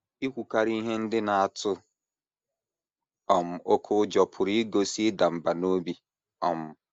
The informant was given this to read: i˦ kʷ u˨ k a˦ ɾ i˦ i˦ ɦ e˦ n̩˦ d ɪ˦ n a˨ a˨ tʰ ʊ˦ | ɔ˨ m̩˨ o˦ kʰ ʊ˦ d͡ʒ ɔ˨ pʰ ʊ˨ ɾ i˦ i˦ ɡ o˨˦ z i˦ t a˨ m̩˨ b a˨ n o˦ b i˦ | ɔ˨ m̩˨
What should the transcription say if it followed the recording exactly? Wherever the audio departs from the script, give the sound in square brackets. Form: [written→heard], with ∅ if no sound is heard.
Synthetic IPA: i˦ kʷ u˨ k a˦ ɾ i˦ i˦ ɦ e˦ n̩˦ d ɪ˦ n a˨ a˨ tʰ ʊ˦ | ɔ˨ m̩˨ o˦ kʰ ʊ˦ d͡ʒ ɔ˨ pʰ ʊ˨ ɾ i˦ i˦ ɡ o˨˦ [z→s] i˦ [t→d] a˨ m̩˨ b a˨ n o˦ b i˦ | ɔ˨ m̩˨